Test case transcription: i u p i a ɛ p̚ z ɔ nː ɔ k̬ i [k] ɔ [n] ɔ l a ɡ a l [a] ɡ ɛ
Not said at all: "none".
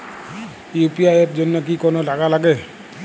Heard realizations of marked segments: k, n, a

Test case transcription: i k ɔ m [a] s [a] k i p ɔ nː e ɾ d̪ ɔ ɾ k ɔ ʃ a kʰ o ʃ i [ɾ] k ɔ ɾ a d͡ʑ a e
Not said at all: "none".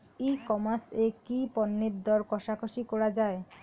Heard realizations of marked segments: a, e, none

